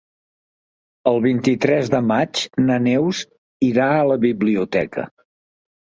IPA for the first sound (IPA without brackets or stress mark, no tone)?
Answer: ə